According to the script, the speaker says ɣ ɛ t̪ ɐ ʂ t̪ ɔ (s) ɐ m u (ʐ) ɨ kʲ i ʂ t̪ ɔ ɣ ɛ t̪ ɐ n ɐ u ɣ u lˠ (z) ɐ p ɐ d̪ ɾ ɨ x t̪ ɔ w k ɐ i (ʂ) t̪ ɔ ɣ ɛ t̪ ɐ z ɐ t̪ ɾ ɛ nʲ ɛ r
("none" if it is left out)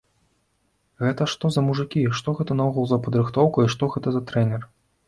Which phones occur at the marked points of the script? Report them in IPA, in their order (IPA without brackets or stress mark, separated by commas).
z, ʐ, z, ʂ